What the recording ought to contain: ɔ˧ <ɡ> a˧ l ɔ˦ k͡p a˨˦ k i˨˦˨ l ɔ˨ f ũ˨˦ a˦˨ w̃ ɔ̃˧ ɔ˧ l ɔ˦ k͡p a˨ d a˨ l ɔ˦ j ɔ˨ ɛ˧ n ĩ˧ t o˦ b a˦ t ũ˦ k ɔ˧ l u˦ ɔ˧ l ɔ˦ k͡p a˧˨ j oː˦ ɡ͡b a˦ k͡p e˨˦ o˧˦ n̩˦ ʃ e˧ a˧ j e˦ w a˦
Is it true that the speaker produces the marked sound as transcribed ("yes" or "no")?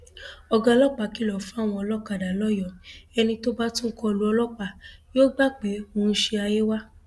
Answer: yes